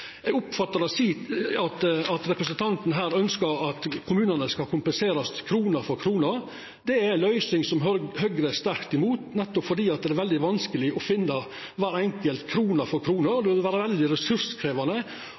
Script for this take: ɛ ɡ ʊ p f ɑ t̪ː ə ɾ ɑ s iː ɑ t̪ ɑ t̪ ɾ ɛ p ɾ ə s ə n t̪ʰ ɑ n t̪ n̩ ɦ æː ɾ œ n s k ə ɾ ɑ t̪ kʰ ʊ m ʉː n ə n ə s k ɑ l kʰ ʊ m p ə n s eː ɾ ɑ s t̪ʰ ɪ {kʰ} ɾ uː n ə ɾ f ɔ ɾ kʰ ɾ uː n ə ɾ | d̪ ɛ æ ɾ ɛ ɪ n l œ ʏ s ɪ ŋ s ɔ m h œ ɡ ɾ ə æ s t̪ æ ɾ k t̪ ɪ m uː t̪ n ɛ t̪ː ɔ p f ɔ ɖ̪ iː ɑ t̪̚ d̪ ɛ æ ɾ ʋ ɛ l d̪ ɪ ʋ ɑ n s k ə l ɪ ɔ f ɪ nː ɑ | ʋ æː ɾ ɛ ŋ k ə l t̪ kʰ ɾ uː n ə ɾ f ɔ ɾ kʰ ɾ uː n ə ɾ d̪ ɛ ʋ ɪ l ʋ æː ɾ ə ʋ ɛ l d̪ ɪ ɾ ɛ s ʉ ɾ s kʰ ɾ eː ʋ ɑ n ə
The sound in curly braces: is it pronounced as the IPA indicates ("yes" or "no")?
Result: yes